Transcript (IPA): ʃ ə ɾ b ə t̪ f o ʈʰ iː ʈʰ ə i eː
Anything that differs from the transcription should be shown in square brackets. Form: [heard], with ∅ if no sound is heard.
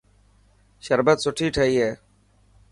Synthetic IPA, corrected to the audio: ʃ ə ɾ b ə t̪ [s] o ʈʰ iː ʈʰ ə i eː